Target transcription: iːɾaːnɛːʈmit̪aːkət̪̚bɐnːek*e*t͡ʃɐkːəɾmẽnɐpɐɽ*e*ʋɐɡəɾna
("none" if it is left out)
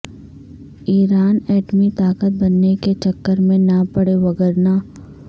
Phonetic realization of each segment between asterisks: e, e

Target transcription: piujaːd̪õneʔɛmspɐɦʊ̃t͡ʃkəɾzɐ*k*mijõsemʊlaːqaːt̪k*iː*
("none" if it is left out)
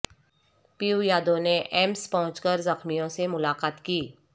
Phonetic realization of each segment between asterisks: x, iː

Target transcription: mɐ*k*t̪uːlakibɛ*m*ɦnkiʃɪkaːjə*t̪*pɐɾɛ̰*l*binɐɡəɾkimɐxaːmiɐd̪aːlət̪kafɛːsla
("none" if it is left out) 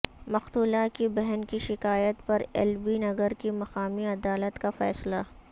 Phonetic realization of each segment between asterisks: x, none, t̪, l

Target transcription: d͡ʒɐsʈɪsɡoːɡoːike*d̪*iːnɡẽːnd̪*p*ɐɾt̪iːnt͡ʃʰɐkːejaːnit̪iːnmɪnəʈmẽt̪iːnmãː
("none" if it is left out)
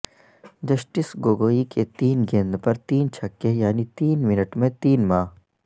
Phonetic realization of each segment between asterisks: t̪, p

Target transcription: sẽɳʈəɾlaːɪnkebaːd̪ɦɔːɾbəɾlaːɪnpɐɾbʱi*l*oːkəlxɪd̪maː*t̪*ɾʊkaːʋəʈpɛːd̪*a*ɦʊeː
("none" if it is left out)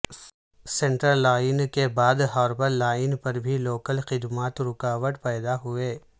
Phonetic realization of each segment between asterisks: l, t̪, a

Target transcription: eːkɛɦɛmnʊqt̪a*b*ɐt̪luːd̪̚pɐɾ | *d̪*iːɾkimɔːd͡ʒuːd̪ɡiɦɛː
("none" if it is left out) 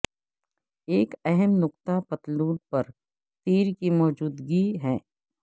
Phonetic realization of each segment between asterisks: p, t̪

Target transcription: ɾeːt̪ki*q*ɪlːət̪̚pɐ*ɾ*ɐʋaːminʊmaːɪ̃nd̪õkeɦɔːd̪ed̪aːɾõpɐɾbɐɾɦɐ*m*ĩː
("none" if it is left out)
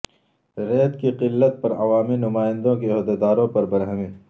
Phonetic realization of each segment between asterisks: q, ɾ, m

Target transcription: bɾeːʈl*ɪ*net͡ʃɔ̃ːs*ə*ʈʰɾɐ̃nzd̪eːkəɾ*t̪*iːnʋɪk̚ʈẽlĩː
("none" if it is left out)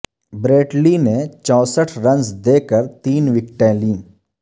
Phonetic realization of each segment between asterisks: i, ə, t̪

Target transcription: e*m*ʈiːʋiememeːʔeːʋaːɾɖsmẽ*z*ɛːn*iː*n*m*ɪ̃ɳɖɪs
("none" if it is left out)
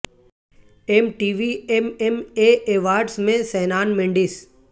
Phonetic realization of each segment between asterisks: m, s, aː, m

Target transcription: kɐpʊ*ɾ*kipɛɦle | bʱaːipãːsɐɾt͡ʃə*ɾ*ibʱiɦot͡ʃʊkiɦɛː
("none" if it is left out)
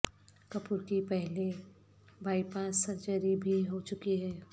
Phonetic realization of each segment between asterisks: ɾ, ɾ

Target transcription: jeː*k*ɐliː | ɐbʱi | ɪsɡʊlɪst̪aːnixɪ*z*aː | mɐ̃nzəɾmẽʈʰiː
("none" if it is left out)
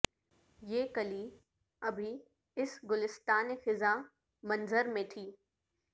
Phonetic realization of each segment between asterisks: k, z

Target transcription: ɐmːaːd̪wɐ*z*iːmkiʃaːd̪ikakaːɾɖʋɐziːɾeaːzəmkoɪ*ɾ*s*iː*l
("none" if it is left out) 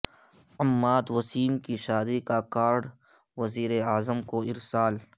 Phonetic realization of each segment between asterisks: s, ɾ, aː

